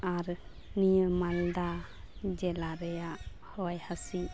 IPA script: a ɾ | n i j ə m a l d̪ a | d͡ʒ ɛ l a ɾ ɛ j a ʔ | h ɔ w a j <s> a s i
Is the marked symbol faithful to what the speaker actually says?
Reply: no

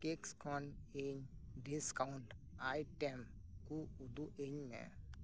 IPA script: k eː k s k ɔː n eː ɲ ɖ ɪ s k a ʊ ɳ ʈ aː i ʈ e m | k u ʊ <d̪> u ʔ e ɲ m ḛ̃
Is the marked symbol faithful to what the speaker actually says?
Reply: yes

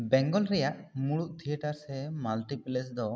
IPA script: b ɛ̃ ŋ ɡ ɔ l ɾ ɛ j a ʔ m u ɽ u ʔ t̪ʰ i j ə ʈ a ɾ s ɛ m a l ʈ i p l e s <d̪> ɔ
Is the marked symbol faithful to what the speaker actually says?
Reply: yes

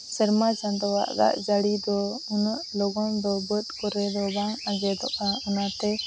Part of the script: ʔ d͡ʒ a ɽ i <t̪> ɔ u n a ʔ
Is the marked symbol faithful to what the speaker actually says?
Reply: no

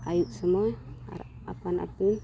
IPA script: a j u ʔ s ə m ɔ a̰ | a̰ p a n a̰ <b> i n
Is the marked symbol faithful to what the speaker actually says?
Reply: no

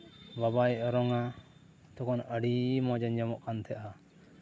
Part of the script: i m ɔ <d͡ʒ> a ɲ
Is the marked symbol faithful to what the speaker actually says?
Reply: yes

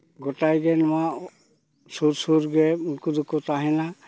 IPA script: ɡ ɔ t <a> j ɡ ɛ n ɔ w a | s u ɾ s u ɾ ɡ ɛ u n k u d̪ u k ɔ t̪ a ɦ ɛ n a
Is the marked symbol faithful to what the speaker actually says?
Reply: yes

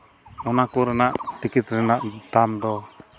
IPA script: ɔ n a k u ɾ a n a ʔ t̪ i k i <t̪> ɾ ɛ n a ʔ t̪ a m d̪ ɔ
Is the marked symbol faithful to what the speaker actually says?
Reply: yes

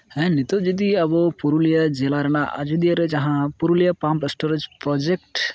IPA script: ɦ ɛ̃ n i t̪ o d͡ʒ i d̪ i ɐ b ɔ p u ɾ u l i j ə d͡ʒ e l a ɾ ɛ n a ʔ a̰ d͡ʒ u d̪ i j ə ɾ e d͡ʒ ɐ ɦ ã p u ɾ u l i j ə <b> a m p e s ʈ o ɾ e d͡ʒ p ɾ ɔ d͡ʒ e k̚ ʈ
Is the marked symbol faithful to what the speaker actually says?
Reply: no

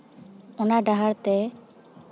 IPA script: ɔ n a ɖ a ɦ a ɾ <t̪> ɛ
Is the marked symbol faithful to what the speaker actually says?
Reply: yes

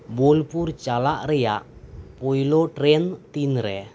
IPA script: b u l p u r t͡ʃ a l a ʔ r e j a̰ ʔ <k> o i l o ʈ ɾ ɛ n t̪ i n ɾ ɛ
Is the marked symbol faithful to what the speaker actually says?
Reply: no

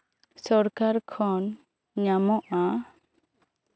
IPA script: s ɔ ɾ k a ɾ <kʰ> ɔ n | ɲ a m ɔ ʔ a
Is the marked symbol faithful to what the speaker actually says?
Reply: yes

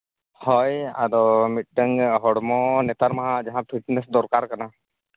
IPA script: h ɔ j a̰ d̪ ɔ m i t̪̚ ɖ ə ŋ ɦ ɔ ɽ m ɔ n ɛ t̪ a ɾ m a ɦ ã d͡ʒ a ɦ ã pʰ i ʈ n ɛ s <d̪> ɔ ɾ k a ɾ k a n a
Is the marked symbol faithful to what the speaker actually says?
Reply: yes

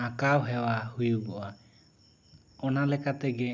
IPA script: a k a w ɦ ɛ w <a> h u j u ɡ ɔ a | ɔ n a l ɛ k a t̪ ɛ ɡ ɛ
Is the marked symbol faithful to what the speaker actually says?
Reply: yes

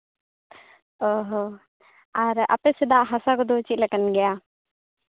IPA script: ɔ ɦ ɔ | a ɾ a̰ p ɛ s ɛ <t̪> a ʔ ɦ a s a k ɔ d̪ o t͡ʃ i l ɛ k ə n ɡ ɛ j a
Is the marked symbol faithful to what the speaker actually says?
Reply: no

